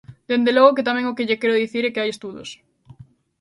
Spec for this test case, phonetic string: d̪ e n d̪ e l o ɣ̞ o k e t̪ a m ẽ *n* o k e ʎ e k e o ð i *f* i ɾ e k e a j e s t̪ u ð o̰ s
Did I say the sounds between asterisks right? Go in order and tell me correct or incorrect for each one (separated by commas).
incorrect, incorrect